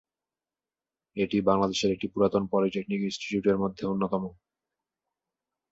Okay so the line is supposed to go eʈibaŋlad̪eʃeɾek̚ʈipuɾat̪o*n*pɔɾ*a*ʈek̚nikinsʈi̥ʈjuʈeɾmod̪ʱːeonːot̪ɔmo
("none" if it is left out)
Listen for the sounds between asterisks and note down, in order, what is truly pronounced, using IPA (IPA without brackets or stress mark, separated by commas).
n, i